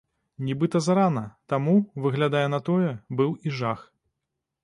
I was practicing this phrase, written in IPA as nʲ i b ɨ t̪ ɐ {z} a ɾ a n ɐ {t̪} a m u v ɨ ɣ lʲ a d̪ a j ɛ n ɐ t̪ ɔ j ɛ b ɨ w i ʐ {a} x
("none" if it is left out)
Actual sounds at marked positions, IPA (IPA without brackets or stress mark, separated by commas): z, t̪, a